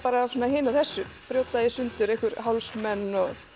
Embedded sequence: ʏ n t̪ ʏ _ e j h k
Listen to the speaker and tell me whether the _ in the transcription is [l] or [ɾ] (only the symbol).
ɾ